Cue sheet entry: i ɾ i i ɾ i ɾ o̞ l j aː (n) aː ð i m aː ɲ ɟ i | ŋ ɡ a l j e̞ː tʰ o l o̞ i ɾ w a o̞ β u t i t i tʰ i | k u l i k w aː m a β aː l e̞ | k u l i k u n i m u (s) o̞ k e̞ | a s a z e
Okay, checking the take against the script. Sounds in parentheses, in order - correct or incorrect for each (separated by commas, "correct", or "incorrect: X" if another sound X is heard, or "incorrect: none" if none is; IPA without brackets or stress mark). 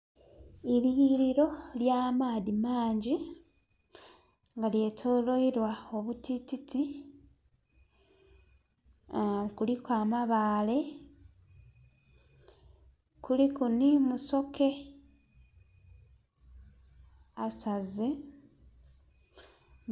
incorrect: m, correct